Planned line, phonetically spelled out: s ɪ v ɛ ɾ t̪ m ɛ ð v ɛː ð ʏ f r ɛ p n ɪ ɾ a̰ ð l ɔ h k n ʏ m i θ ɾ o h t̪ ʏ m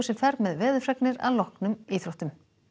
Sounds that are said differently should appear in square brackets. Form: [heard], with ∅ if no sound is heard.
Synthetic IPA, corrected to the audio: s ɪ [f] ɛ ɾ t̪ m ɛ ð v ɛː ð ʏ f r ɛ [k] n ɪ ɾ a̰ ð l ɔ h k n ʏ m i θ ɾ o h t̪ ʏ m

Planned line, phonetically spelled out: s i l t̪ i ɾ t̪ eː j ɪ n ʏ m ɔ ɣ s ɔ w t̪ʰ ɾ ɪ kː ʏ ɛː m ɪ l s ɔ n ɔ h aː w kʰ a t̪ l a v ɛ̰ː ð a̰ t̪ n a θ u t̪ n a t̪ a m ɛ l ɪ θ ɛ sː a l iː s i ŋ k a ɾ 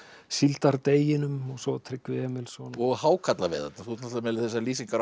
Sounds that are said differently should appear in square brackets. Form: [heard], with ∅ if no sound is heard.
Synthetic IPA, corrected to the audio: s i l t̪ [a] ɾ t̪ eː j ɪ n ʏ m ɔ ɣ s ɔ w t̪ʰ ɾ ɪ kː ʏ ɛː m ɪ l s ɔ n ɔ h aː w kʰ a t̪ l a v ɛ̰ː ð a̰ t̪ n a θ u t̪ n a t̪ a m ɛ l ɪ θ ɛ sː a l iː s i ŋ k a ɾ

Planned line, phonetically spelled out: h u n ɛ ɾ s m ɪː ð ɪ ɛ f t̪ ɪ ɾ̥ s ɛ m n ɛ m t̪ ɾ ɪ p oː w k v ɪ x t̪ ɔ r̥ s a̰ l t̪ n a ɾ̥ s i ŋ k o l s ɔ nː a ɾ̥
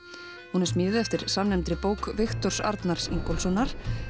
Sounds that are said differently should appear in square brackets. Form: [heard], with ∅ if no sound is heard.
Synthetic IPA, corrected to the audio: h u n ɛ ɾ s m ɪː ð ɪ ɛ f t̪ ɪ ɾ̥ s [a] m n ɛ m t̪ ɾ ɪ p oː w k v ɪ x t̪ ɔ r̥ s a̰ [ɾ] t̪ n a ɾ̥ s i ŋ k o l s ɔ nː a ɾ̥

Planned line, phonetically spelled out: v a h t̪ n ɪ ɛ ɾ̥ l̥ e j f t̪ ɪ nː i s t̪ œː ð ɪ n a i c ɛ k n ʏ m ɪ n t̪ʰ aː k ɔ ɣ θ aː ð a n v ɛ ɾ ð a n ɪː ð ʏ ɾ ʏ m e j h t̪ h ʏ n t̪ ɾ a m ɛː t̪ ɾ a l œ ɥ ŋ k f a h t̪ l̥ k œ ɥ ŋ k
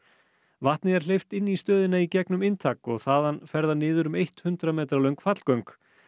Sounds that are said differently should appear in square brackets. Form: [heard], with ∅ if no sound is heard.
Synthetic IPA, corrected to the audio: v a h t̪ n ɪ ɛ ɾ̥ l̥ e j f t̪ ɪ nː i s t̪ œː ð ɪ n a i c ɛ k n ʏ m ɪ n t̪ʰ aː k ɔ ɣ θ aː ð a n [f] ɛ ɾ ð a n ɪː ð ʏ ɾ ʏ m e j h t̪ h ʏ n t̪ ɾ a m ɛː t̪ ɾ a l œ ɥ ŋ k f a [∅] t̪ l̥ k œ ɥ ŋ k

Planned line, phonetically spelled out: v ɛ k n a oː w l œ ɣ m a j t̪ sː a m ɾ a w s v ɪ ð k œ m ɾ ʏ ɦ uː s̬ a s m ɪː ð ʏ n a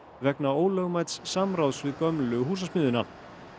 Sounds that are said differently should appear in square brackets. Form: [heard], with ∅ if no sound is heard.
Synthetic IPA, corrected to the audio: v ɛ k n a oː w l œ ɣ m a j t̪ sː a m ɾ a w s v ɪ ð k œ m [l] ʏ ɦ uː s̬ a s m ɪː ð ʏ n a

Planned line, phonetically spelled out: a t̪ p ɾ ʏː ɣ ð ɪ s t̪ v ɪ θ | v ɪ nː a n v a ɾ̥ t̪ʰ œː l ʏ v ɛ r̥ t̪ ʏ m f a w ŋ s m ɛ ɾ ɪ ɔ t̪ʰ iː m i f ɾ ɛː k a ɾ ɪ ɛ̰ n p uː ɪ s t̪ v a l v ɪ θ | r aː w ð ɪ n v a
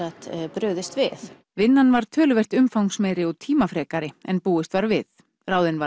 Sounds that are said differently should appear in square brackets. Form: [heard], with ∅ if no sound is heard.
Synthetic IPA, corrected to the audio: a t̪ p ɾ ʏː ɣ ð ɪ s t̪ v ɪ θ | v ɪ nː a n v a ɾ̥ t̪ʰ œː l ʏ v ɛ r̥ t̪ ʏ m f a w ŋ s m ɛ ɾ ɪ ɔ t̪ʰ iː m [a] f ɾ ɛː k a ɾ ɪ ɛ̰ n p uː ɪ s t̪ v a [ɾ] v ɪ θ | r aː w ð ɪ n v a

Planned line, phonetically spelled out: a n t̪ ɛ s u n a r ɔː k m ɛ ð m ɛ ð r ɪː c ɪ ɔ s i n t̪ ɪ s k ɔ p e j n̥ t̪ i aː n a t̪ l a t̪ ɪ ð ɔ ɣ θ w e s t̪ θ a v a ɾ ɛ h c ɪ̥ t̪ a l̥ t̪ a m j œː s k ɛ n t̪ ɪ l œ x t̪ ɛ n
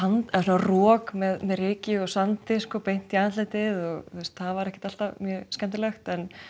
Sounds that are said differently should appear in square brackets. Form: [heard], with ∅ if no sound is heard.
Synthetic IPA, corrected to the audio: a n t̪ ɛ s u n a r ɔː k m ɛ ð m ɛ ð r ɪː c ɪ ɔ s [a] n t̪ ɪ s k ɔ p e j n̥ t̪ i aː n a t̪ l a t̪ ɪ ð ɔ ɣ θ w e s t̪ θ a v a ɾ ɛ h c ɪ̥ t̪ a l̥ t̪ a m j œː s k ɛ n t̪ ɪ l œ x t̪ ɛ n

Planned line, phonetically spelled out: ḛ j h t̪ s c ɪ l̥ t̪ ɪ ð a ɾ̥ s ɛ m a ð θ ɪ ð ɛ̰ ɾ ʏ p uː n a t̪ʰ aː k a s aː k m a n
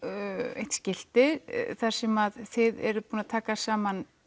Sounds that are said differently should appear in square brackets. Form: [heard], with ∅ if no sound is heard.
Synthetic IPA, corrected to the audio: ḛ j h t̪ s c ɪ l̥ t̪ ɪ [θ] a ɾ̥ s ɛ m a ð θ ɪ ð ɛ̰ ɾ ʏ p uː n a t̪ʰ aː k a s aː [∅] m a n

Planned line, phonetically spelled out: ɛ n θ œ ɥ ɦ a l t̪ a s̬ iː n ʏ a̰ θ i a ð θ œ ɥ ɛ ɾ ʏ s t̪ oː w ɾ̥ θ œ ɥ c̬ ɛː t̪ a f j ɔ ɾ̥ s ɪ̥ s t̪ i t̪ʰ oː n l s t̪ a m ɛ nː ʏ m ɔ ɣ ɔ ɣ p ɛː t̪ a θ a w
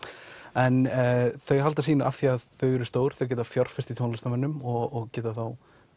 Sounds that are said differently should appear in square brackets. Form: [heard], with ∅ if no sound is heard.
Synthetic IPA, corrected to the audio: ɛ n θ œ ɥ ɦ a l t̪ a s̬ iː n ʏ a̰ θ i a ð θ œ ɥ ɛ ɾ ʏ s t̪ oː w ɾ̥ θ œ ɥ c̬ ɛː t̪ a f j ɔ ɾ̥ [f] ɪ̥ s t̪ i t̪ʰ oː n l s t̪ a m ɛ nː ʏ m ɔ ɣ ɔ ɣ [c] ɛː t̪ a θ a w

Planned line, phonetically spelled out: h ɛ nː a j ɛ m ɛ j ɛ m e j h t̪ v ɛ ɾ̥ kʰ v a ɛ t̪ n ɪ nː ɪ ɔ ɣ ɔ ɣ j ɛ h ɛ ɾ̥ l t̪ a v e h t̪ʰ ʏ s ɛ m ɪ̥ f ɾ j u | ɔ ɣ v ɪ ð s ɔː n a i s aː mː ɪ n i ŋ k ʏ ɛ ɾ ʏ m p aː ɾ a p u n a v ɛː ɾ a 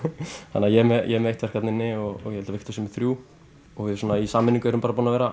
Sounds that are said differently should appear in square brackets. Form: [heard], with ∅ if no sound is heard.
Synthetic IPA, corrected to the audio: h [a] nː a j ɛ m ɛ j ɛ m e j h t̪ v ɛ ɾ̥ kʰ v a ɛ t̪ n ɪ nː ɪ ɔ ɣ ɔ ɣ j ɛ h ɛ [∅] l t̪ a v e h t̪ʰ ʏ s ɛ m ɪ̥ [θ] ɾ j u | ɔ ɣ v ɪ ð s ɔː n a i s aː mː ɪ n i ŋ k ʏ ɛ ɾ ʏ m p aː ɾ a p u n a v ɛː ɾ a

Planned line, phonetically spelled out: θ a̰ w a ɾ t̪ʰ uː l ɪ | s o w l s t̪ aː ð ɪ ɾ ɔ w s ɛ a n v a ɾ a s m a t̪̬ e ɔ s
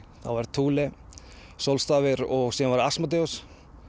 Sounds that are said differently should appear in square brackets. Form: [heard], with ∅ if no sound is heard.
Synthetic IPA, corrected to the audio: θ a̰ [v] a ɾ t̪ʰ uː l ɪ | s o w l s t̪ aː [v] ɪ ɾ ɔ [ɣ] s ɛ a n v a ɾ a s m a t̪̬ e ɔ s

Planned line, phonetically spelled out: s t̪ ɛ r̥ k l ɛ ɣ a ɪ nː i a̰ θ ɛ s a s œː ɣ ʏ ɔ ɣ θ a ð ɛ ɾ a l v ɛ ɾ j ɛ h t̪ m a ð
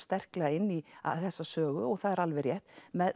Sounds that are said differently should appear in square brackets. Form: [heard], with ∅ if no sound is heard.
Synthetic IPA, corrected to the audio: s t̪ ɛ r̥ k l ɛ ɣ a ɪ nː i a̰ θ ɛ [sː] a s œː ɣ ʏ ɔ ɣ θ a ð ɛ ɾ a l v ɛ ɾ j ɛ h t̪ m [ɛ] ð

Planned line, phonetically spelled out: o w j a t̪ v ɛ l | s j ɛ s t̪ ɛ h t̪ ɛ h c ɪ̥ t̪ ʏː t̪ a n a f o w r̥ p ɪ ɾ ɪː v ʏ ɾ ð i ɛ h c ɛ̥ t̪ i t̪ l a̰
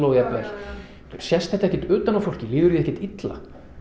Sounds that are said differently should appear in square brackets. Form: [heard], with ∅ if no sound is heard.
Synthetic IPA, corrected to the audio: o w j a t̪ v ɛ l | s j ɛ s t̪ ɛ h t̪ ɛ h c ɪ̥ t̪ ʏː t̪ a n a f o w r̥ [c] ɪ [l] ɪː [ð] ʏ ɾ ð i ɛ h c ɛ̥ t̪ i t̪ l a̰

